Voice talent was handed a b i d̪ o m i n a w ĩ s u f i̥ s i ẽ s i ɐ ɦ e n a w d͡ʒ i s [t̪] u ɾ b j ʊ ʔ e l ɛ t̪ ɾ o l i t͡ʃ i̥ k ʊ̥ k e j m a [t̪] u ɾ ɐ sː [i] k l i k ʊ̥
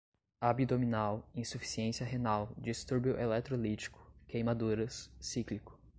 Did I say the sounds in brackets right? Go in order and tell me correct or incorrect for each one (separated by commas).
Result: correct, incorrect, correct